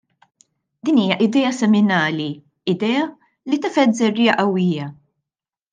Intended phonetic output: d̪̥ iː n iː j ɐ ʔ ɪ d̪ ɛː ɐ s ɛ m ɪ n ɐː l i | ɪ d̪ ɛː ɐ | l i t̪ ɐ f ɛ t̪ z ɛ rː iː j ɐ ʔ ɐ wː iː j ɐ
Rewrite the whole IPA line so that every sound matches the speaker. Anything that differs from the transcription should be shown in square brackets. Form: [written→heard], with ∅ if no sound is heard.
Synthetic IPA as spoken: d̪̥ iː n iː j ɐ ʔ ɪ d̪ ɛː ɐ s ɛ m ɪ n ɐː l i | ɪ d̪ ɛː ɐ | l i t̪ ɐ f ɛ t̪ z ɛ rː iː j ɐ ʔ ɐ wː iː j ɐ

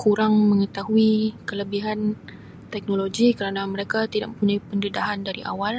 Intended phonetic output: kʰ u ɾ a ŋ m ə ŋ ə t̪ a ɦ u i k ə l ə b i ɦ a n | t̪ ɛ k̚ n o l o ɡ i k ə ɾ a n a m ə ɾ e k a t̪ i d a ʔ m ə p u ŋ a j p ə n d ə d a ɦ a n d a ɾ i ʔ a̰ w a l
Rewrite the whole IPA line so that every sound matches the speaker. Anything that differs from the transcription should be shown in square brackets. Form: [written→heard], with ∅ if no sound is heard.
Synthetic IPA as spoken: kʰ u ɾ a ŋ m ə ŋ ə t̪ a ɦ u i k ə l ə b i ɦ a n | t̪ ɛ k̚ n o l o ɡ i k ə ɾ a n a m ə ɾ e k a t̪ i d a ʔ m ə p u [ŋ→ɲ] a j p ə n d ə d a ɦ a n d a ɾ i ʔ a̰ w a l

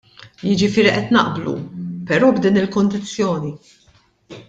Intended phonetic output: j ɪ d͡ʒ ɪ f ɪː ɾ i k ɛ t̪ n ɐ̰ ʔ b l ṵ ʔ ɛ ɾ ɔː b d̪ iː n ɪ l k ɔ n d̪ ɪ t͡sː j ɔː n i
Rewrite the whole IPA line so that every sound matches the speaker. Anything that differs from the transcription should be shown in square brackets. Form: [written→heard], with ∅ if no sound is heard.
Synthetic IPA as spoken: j ɪ d͡ʒ ɪ f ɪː ɾ i [k→ʔ] ɛ t̪ n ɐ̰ ʔ b l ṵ [ʔ→p] ɛ ɾ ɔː b d̪ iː n ɪ l k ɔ n d̪ ɪ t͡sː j ɔː n i

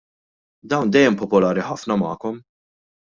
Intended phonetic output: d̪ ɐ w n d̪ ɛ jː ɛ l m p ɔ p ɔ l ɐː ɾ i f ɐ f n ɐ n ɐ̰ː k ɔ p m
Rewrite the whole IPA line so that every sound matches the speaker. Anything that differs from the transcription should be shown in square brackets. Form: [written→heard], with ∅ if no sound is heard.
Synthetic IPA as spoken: d̪ ɐ w n d̪ ɛ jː ɛ [l→∅] m p ɔ p ɔ l ɐː ɾ i [f→ħ] ɐ f n ɐ [n→m] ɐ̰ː k ɔ [p→∅] m

